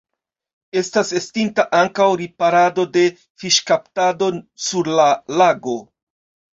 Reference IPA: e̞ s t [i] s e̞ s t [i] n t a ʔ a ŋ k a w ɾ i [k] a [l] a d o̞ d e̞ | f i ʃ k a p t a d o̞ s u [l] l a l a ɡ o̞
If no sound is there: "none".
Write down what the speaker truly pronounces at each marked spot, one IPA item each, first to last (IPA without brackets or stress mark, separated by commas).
a, i, p, ɾ, ɾ